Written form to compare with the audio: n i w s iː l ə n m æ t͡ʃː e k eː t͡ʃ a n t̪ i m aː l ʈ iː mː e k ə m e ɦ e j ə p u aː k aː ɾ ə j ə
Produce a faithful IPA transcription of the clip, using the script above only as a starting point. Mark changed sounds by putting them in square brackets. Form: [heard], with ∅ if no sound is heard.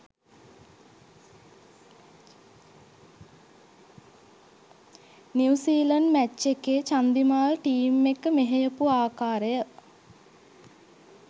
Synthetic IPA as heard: n i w s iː l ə n m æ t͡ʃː e k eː t͡ʃ a n [d̪] i m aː l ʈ iː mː e k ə m e ɦ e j ə p u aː k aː ɾ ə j ə